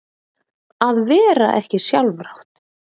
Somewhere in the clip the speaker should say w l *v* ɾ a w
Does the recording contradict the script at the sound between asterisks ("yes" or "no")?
no